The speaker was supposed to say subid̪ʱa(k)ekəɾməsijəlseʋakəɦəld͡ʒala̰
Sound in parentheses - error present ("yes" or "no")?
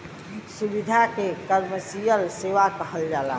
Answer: no